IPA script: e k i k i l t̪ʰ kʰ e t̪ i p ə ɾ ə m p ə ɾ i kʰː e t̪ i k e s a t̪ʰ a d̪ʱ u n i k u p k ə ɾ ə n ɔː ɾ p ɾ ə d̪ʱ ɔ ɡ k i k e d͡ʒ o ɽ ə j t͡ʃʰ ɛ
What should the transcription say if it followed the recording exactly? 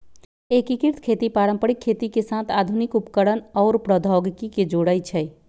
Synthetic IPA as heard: e k i k i ɾ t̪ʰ kʰ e t̪ i p a ɾ ə m p ə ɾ i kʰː e t̪ i k e s a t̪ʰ a d̪ʱ u n i k u p k ə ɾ ə n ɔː ɾ p ɾ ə d̪ʱ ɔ ɡ k i k e d͡ʒ o ɽ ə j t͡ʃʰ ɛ